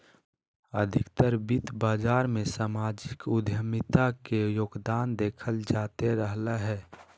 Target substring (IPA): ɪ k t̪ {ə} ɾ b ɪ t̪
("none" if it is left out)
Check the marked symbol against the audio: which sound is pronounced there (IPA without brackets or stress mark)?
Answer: ə